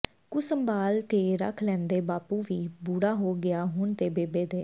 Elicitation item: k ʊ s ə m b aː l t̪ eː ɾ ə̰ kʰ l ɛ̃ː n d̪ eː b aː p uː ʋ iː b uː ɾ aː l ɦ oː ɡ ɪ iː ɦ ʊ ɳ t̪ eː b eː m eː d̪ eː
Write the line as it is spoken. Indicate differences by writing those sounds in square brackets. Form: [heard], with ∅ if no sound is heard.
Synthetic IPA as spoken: k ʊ s ə m b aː l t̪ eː ɾ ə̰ kʰ l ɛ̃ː n d̪ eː b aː p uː ʋ iː b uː [ɽ] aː [∅] ɦ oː ɡ ɪ [aː] ɦ ʊ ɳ t̪ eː b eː [b] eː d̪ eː